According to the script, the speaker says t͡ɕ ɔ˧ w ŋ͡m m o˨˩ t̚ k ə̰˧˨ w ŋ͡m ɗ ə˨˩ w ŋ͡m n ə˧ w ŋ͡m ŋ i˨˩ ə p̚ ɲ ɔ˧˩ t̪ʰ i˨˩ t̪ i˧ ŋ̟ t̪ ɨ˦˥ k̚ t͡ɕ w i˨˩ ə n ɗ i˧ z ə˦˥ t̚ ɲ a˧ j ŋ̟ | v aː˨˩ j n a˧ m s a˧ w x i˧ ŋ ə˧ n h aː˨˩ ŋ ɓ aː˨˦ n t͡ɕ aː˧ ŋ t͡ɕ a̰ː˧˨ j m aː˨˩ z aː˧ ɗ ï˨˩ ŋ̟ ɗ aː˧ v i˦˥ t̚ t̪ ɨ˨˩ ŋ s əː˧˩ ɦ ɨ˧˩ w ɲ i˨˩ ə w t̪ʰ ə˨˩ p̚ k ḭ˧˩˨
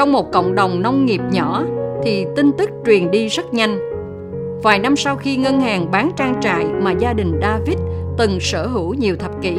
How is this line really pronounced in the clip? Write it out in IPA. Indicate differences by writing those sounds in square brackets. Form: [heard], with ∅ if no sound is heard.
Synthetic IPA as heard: t͡ɕ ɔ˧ w ŋ͡m m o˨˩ t̚ k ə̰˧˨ w ŋ͡m ɗ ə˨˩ w ŋ͡m n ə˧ w ŋ͡m ŋ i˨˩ ə p̚ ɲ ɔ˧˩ t̪ʰ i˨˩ t̪ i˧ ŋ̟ t̪ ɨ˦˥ k̚ t͡ɕ w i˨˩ ə n ɗ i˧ z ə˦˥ t̚ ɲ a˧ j ŋ̟ | v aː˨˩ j n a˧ m s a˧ w x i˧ ŋ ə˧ n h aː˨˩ ŋ ɓ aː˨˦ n t͡ɕ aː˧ ŋ t͡ɕ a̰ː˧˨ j m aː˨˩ z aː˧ ɗ ï˨˩ ŋ̟ ɗ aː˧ v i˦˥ t̚ t̪ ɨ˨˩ ŋ s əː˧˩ ɦ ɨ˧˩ w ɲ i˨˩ ə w t̪ʰ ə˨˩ p̚ k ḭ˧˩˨